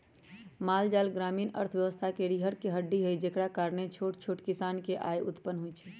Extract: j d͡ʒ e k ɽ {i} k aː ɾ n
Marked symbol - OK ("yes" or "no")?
no